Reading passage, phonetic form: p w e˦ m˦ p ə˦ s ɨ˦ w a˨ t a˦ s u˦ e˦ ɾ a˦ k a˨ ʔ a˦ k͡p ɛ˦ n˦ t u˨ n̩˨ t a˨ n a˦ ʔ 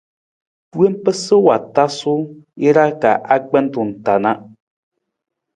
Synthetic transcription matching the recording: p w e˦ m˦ p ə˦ s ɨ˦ w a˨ t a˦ s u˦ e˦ ɾ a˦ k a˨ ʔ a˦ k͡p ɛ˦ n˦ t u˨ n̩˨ t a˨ n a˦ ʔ